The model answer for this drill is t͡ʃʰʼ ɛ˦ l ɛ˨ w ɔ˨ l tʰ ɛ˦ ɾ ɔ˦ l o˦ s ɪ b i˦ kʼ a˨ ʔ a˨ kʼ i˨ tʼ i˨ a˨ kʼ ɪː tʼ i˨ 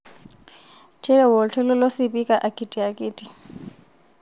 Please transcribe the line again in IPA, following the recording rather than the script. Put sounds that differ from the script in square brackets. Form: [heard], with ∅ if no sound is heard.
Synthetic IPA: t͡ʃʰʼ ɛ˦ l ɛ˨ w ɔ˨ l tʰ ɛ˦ [l] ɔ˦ l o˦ s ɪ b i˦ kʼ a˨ ʔ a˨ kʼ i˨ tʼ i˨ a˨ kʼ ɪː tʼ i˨